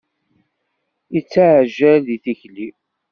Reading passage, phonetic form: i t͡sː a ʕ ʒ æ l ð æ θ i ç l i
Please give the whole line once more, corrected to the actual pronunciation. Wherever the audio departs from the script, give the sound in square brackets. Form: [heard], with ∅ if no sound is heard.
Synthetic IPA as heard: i t͡sː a ʕ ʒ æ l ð [i] θ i ç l i